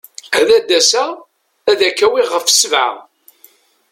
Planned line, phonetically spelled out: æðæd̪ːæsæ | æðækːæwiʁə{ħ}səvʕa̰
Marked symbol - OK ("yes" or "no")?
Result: no